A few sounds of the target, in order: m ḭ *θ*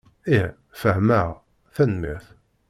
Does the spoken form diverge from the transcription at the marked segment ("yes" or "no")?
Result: no